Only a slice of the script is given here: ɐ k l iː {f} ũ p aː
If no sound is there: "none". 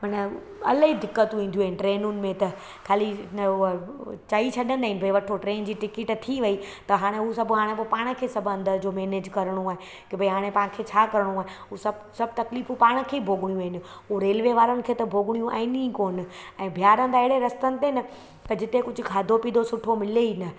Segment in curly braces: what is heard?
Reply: f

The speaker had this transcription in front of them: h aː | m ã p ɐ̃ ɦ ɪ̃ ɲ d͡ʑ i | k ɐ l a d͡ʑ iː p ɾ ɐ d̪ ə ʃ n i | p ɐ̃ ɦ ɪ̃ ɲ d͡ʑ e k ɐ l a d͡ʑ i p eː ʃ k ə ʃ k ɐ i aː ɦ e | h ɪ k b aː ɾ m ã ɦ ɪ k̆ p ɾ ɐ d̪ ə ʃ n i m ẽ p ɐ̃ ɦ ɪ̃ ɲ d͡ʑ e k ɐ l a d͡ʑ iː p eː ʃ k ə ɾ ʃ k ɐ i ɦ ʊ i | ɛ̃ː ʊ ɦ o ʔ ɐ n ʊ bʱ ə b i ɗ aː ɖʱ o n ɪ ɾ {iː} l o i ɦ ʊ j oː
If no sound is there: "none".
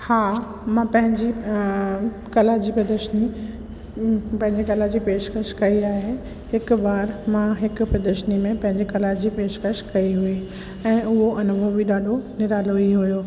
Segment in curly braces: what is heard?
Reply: aː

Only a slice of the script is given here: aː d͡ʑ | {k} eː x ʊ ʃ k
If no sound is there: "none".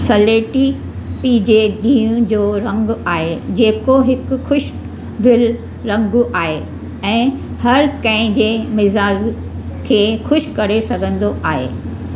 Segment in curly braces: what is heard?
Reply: kʰ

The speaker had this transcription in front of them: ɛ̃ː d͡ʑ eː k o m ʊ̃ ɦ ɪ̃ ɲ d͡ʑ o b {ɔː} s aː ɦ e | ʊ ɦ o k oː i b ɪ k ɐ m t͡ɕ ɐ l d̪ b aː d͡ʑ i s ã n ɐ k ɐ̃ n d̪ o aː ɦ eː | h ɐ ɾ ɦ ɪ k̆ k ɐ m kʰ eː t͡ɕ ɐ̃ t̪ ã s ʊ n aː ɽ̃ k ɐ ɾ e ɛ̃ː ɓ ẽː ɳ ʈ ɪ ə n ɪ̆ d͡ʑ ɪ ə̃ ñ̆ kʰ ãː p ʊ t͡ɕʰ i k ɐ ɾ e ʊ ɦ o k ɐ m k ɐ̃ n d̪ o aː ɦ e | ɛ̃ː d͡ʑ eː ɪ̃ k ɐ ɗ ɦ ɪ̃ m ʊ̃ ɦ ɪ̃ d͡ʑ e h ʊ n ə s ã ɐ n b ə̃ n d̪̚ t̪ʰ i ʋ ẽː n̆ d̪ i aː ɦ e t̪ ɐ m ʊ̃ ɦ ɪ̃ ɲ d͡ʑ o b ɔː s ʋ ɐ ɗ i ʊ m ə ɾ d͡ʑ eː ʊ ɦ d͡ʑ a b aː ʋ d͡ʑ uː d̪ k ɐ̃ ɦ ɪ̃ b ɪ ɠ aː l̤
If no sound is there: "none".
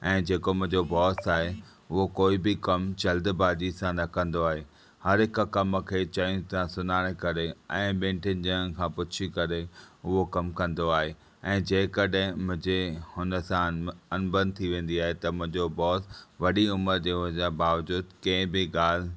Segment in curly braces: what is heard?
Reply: ɔː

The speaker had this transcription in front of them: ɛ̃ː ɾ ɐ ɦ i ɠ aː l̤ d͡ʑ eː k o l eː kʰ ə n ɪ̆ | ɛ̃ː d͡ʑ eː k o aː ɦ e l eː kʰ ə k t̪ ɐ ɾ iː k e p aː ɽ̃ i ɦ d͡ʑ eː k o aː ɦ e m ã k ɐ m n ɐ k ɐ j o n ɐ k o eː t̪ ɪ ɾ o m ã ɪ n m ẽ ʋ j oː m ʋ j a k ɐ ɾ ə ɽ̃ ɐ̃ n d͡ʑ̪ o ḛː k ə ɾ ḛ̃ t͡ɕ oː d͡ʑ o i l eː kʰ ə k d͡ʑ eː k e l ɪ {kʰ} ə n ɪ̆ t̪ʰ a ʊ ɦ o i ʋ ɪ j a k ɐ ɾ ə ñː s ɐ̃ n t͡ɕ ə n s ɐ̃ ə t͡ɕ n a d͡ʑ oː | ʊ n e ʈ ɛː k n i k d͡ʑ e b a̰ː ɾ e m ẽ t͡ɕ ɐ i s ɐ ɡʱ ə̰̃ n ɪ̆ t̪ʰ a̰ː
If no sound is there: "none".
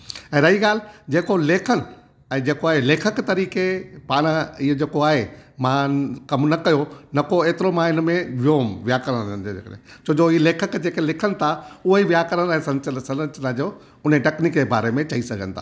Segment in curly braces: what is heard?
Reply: kʰ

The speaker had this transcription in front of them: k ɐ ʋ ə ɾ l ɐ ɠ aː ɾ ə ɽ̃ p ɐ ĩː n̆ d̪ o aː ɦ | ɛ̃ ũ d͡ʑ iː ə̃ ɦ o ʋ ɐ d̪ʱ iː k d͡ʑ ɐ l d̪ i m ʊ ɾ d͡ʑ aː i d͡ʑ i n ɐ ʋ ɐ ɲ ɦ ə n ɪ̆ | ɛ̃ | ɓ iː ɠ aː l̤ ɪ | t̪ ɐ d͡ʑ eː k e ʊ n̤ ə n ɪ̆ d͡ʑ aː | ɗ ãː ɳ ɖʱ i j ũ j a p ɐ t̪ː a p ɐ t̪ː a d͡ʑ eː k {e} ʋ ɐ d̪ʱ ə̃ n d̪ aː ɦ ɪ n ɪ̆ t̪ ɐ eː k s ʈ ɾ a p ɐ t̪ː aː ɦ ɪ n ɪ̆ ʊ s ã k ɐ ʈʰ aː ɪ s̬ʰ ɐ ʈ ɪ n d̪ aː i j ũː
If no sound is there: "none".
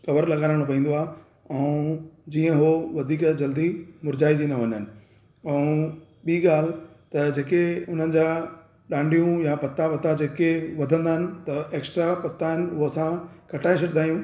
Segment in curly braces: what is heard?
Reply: e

